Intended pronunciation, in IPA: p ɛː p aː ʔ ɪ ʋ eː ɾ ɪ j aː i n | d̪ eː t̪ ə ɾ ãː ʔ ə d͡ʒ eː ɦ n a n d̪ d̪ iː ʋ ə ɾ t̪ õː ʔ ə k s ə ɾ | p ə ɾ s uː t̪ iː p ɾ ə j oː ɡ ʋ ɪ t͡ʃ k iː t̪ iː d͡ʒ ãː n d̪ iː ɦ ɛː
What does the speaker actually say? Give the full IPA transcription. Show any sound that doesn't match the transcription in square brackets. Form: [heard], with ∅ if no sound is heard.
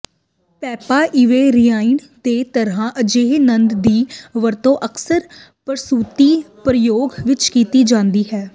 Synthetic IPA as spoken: p ɛː p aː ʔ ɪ ʋ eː ɾ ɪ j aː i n | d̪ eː t̪ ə ɾ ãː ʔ ə d͡ʒ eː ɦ n [ə] n d̪ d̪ iː ʋ ə ɾ t̪ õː ʔ ə k s ə ɾ | p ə ɾ s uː t̪ iː p ɾ ə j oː ɡ ʋ ɪ t͡ʃ k iː t̪ iː d͡ʒ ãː n d̪ iː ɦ ɛː